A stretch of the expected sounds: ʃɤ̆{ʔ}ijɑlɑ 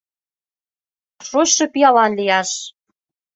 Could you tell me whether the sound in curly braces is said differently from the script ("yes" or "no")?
yes